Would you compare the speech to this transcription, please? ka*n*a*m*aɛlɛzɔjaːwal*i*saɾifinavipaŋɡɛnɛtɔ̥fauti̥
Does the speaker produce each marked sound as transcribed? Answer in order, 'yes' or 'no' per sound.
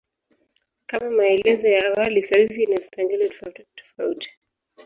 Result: no, yes, yes

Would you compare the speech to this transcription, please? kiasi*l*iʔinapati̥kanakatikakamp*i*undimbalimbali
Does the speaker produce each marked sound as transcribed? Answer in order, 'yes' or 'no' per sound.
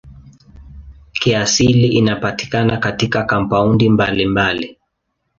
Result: yes, no

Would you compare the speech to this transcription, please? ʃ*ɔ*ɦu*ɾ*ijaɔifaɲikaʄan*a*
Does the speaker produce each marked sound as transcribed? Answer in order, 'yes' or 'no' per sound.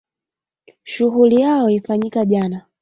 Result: no, no, yes

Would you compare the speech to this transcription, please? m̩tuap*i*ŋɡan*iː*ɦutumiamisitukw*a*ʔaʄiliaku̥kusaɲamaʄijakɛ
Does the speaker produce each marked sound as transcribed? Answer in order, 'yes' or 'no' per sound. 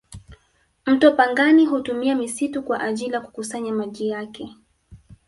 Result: no, no, yes

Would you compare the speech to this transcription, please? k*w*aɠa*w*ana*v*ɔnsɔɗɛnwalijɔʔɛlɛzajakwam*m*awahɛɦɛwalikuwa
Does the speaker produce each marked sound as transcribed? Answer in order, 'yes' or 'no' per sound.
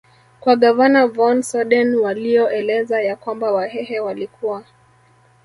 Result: yes, no, yes, no

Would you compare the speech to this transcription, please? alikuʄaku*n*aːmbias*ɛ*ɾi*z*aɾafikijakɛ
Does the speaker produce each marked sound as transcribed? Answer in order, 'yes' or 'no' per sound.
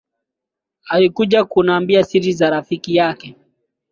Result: yes, no, yes

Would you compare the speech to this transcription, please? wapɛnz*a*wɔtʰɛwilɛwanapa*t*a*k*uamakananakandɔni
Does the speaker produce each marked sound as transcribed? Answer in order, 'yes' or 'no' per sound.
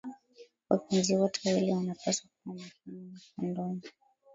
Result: no, no, yes

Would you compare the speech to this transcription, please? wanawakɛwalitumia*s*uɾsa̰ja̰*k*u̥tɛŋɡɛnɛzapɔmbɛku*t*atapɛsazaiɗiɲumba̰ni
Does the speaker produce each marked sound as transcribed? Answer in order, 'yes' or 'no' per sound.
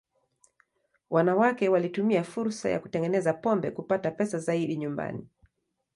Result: no, yes, no

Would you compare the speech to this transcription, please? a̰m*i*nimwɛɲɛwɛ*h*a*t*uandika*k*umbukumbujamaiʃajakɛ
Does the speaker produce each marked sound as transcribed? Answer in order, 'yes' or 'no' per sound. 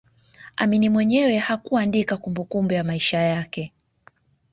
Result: yes, yes, no, yes

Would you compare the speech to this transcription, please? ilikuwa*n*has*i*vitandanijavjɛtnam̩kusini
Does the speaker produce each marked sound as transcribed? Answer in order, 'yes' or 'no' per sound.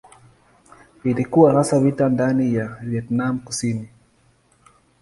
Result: no, no

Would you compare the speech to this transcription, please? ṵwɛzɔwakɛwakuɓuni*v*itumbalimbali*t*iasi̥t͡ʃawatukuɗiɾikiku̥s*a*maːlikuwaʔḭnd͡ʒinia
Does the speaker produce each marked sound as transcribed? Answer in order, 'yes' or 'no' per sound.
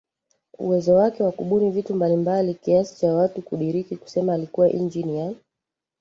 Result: yes, no, no

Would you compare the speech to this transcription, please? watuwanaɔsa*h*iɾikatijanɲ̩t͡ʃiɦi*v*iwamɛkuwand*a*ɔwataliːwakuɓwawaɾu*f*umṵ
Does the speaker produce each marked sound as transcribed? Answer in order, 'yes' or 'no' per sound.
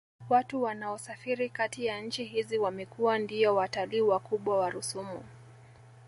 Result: no, no, no, no

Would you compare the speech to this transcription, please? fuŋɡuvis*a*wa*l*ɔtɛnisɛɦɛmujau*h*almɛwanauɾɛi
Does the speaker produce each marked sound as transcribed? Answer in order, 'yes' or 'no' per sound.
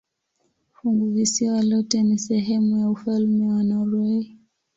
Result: no, yes, no

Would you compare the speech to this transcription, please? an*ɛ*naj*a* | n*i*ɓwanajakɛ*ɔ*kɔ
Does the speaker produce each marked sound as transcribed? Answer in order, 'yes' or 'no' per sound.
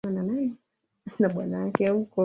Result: no, no, no, no

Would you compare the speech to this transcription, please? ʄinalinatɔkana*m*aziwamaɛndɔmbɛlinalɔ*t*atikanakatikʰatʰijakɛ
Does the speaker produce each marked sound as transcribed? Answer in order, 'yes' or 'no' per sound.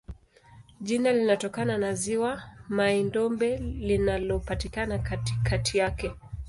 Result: no, no

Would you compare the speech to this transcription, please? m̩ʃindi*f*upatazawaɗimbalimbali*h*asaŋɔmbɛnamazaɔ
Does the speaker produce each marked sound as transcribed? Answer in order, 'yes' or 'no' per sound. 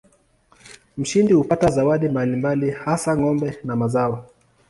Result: no, yes

